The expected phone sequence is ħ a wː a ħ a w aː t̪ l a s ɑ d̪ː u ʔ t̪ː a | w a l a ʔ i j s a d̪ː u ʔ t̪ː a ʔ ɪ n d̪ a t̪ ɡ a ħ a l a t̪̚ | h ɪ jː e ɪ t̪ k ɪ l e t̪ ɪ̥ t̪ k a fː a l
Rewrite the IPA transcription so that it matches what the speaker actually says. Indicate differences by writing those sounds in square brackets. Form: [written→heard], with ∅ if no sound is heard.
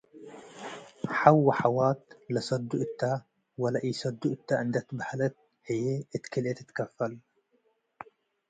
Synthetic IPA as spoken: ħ a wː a ħ a w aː t̪ l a s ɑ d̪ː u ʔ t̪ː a | w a l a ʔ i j s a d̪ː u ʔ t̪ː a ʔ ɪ n d̪ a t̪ [ɡ→b] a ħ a l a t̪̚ | h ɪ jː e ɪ t̪ k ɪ l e t̪ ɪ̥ t̪ k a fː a l